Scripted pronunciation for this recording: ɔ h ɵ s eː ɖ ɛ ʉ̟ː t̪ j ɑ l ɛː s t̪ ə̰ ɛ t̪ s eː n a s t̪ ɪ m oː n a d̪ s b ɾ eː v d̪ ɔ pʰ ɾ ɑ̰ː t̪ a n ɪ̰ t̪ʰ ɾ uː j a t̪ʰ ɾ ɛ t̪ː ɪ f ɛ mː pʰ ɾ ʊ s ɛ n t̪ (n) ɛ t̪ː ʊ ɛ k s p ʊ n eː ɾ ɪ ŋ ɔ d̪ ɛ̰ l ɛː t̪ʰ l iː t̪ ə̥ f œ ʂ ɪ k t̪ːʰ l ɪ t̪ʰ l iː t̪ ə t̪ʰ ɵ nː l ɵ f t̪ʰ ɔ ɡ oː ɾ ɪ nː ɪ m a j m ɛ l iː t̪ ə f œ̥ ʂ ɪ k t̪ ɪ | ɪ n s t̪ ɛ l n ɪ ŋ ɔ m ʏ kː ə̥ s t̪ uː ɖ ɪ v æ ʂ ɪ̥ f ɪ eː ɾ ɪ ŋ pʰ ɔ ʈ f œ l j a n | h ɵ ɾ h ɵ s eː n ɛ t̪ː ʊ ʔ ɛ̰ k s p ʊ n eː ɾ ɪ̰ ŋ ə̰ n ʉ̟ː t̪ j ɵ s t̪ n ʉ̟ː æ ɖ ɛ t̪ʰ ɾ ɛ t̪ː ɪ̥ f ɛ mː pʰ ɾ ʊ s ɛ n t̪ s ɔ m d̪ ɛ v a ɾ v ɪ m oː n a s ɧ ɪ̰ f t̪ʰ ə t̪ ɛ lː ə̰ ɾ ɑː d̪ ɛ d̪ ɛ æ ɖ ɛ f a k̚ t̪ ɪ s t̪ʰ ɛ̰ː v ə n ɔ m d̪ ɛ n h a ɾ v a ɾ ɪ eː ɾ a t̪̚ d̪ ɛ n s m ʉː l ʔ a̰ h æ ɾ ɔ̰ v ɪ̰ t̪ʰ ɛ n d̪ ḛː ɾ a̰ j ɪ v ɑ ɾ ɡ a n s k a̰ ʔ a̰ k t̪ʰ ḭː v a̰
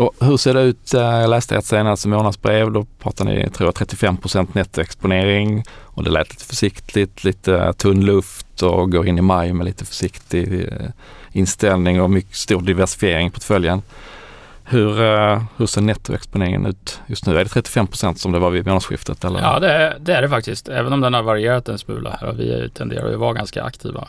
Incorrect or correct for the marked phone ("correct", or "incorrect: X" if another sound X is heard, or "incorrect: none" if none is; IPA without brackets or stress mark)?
correct